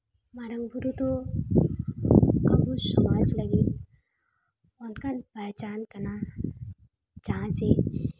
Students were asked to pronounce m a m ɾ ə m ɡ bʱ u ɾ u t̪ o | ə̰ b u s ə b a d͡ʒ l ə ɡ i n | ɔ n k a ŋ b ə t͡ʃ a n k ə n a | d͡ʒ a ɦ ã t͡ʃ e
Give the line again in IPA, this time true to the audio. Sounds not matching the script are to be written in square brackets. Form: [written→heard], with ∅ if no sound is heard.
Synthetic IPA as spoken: m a [m→∅] ɾ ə [m→ŋ] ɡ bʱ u ɾ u t̪ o | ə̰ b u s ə [b→m] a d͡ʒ l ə ɡ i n | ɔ n k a [ŋ→n] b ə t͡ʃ a n k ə n a | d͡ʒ a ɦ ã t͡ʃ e